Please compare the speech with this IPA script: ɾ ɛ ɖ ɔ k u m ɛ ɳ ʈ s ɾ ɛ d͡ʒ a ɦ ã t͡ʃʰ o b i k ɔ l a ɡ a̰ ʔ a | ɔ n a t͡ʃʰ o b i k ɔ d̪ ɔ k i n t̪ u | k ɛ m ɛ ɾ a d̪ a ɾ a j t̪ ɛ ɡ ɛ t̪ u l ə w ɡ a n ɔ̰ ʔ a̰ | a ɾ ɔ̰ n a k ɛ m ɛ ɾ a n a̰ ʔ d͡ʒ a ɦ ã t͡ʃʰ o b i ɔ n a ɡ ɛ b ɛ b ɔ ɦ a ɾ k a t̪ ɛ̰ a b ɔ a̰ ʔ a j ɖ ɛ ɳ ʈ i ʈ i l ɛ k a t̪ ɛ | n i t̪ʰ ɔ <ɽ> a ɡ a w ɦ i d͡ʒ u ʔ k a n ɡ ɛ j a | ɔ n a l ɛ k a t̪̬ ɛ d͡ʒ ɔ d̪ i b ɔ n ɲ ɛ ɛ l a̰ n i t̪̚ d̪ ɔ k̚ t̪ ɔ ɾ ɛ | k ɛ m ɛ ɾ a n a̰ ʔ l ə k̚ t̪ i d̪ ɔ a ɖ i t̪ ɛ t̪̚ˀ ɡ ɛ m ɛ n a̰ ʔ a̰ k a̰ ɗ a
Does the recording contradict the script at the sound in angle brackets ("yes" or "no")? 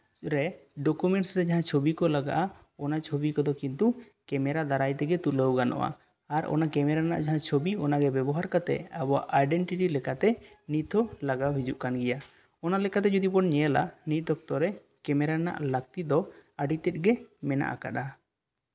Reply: yes